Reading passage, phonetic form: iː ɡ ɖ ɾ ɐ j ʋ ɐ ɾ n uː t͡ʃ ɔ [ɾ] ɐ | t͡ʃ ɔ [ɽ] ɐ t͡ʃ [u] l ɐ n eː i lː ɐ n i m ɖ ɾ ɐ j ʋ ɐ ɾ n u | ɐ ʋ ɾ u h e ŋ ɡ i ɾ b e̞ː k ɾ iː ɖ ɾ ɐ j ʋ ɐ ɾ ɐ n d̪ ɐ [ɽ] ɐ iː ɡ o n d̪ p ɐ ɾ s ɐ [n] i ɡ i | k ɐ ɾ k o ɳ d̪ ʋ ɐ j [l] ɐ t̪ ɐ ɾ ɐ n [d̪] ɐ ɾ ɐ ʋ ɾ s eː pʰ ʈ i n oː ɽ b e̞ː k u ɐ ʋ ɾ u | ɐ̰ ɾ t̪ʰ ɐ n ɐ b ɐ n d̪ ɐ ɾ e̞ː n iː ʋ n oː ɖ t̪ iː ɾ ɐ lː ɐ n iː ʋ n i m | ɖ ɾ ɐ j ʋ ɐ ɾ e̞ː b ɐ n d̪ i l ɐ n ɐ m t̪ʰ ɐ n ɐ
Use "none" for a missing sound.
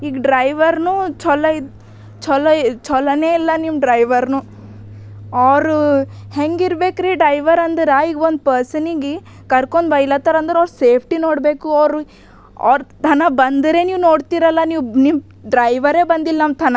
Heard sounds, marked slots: l, l, ɔ, ɾ, n, l, d̪

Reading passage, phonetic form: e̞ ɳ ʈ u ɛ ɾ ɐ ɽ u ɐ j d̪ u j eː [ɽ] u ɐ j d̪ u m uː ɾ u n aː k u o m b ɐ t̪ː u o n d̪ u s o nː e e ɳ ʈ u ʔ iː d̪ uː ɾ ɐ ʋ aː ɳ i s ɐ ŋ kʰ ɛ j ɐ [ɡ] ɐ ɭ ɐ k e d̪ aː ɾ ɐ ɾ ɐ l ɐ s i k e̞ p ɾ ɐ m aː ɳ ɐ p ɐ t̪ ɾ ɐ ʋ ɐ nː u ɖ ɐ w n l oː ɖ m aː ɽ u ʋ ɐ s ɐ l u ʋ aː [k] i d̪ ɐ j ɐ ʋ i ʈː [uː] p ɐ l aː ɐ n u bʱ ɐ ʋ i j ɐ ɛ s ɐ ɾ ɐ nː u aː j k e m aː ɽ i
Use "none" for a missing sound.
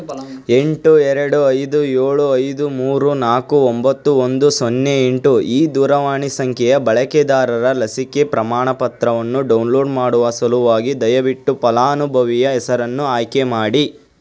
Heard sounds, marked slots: ɭ, b, ɡ, u

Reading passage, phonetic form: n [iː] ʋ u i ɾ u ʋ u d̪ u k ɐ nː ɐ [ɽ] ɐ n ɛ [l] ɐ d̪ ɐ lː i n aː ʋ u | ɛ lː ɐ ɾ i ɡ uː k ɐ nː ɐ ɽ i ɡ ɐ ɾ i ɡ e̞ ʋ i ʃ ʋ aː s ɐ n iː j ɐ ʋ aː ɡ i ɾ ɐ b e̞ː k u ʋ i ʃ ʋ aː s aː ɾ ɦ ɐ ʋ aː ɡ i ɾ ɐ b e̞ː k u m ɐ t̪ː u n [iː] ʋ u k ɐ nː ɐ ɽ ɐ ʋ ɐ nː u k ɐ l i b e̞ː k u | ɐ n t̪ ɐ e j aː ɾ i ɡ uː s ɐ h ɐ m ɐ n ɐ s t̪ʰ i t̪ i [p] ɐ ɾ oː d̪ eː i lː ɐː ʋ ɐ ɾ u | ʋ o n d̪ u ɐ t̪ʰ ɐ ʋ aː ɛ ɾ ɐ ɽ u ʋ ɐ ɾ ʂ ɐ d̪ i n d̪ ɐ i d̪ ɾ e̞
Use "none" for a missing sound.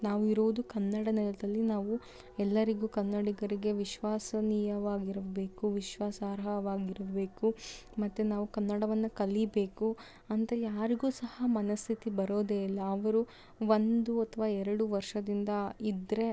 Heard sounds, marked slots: aː, ɽ, l, aː, b

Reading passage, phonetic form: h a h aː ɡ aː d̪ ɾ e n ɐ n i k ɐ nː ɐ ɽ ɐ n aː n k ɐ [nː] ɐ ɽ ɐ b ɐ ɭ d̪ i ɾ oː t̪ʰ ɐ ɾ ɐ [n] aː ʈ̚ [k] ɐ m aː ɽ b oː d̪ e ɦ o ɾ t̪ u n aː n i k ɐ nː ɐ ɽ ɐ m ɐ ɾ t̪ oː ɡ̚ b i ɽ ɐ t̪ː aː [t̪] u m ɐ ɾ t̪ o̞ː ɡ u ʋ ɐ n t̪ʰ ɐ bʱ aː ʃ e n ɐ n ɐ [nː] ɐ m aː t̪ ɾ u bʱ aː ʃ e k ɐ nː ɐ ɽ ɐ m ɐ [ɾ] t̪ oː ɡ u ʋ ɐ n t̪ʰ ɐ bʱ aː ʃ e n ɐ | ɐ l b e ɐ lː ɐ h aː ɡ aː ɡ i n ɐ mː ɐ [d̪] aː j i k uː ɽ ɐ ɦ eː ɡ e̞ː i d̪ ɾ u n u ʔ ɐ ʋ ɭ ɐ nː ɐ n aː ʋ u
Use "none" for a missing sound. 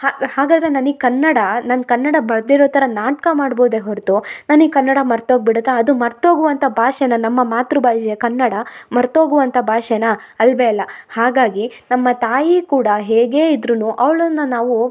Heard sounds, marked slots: nː, n, k, d̪, mː, ɾ, t̪

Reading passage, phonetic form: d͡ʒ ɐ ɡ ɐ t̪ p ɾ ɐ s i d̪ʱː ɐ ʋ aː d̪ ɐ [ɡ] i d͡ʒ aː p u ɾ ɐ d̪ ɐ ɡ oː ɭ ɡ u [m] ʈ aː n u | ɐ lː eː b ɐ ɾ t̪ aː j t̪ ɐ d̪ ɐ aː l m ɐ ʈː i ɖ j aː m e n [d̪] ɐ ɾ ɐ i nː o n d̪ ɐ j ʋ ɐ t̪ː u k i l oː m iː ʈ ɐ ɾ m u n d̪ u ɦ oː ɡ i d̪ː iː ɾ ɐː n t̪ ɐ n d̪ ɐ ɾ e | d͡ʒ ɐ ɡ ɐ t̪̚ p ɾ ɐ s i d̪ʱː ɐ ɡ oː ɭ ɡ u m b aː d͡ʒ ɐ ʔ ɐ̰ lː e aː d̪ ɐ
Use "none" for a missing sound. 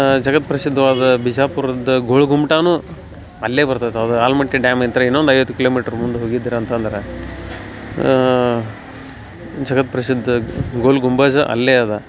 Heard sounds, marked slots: b, m, t̪

